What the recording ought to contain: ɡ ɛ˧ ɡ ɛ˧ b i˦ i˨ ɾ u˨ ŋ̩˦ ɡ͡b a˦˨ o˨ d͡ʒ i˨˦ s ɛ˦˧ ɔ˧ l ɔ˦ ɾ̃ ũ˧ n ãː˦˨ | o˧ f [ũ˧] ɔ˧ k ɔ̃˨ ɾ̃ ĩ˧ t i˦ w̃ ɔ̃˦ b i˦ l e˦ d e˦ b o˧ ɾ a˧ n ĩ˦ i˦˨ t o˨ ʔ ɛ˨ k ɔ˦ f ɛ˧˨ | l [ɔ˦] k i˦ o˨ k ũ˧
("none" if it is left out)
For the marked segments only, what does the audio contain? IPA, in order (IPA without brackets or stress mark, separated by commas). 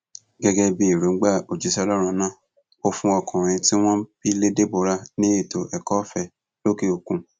ũ˧, o˦